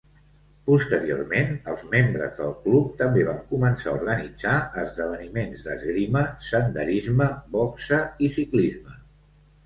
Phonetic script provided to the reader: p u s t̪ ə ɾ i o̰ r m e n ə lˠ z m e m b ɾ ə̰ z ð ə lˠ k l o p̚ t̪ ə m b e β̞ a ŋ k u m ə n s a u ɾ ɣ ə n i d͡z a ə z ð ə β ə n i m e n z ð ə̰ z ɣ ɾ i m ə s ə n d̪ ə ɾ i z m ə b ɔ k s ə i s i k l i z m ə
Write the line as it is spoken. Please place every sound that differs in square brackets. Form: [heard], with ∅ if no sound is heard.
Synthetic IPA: p u s t̪ ə ɾ i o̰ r m e n ə lˠ z m e m b ɾ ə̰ z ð ə lˠ k l [u] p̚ t̪ ə m b e β̞ a ŋ k u m ə n s a u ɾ ɣ ə n i d͡z a ə z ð ə β ə n i m e n z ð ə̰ z ɣ ɾ i m ə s ə n d̪ ə ɾ i z m ə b ɔ k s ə i s i k l i z m ə

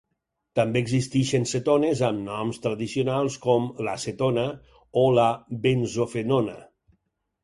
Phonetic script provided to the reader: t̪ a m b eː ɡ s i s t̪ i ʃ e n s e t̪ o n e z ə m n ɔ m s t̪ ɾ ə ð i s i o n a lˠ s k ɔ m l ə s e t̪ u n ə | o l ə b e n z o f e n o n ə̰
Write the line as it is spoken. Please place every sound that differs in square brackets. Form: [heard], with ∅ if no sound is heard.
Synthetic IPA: t̪ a m b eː ɡ [z] i s t̪ i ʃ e n s e t̪ o n e z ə m n ɔ m s t̪ ɾ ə ð i s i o n a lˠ s k ɔ m l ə s e t̪ [o] n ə | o l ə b e n z o f e n o n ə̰

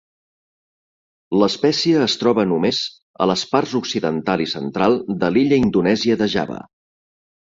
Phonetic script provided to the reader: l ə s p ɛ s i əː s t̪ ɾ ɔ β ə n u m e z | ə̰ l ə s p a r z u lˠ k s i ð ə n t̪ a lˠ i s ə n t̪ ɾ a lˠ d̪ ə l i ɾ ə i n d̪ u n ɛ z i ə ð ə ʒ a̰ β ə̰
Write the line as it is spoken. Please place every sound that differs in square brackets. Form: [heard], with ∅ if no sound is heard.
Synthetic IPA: l ə s p ɛ s i əː s t̪ ɾ ɔ β ə n u m e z | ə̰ l ə s p a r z u [∅] k s i ð ə n t̪ a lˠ i s ə n t̪ ɾ a lˠ d̪ ə l i [ʎ] ə i n d̪ u n ɛ z i ə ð ə ʒ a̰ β ə̰

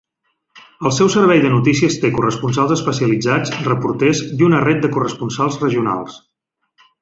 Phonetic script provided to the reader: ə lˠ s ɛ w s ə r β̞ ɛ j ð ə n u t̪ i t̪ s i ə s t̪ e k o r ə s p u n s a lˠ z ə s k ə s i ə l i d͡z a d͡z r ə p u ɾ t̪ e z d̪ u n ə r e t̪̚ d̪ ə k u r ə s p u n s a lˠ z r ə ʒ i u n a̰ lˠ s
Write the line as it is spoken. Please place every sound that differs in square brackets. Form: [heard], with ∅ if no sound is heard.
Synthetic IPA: ə lˠ s ɛ w s ə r β̞ ɛ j ð ə n u t̪ i [∅] s i ə s t̪ e k [u] r ə s p u n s a lˠ z ə s [p] ə s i ə l i d͡z a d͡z r ə p u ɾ t̪ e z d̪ u n ə r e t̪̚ d̪ ə k u r ə s p u n s a lˠ z r ə ʒ i u n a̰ lˠ s

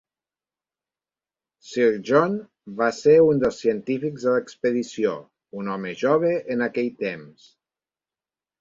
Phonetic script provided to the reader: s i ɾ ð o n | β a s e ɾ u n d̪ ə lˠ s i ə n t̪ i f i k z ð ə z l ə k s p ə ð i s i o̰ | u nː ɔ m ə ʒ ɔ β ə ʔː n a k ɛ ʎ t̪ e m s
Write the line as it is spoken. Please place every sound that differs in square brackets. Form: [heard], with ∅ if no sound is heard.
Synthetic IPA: s i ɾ [ʒ] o n | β a s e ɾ u n d̪ ə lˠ s i ə n t̪ i f i k z ð ə [∅] l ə k s p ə ð i s i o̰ | u [n] ɔ m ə ʒ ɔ β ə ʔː n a k ɛ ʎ t̪ e m s

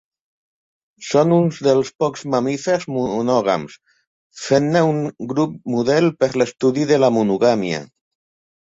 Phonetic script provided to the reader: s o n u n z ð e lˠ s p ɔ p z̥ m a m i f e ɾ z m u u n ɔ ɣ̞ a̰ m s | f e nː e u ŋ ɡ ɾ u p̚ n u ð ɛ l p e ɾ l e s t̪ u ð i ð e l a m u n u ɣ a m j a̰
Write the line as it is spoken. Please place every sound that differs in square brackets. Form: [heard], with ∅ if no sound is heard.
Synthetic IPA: s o n u n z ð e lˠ s p ɔ [k] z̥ m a m i f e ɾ z m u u n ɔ ɣ̞ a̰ m s | f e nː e u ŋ ɡ ɾ u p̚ [m] u ð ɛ l p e ɾ l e s t̪ u ð i ð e l a m u n u ɣ a m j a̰

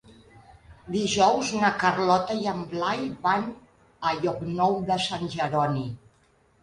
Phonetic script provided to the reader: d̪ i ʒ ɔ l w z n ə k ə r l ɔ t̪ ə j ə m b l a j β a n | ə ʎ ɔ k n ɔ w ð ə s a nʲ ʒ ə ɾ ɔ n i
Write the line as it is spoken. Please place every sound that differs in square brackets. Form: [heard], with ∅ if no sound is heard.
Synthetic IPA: d̪ i ʒ ɔ [∅] w z n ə k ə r l ɔ t̪ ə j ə m b l a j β a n | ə ʎ ɔ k n ɔ w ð ə s a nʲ ʒ ə ɾ ɔ n i

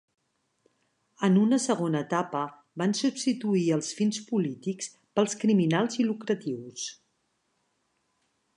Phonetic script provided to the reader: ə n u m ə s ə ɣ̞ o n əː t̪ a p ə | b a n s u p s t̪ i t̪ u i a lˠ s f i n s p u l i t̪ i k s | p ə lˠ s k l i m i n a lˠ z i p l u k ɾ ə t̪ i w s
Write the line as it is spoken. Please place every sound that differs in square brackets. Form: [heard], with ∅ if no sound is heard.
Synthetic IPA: ə n u [n] ə s ə ɣ̞ o n əː t̪ a p ə | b a n s u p s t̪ i t̪ u i [ə] lˠ s f i n s p u l i t̪ i k s | p ə lˠ s k [ɾ] i m i n a lˠ z i [∅] l u k ɾ ə t̪ i w s

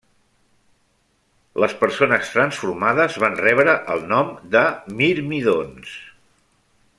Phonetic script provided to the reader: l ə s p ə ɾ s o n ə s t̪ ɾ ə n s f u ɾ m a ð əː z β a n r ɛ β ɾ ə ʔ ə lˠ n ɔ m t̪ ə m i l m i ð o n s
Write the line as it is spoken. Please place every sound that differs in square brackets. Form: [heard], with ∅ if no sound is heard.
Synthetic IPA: l ə s p ə ɾ s o n ə s t̪ ɾ ə n s f u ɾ m a ð [ə] z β a n r ɛ β ɾ ə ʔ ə lˠ n ɔ m [d̪] ə m i [ɾ] m i ð o n s

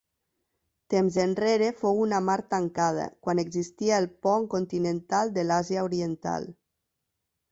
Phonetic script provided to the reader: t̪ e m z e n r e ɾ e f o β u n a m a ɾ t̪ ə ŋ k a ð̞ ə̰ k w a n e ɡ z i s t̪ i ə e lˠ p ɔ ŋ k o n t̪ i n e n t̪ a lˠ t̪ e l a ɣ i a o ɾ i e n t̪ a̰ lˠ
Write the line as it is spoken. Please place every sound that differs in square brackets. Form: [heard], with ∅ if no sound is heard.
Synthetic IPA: t̪ e m z e n r e ɾ e f o [w] u n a m a ɾ t̪ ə ŋ k a ð̞ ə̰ k w a n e ɡ z i s t̪ i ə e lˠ p ɔ ŋ k o n t̪ i n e n t̪ a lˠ [d̪] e l a [z] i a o ɾ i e n t̪ a̰ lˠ

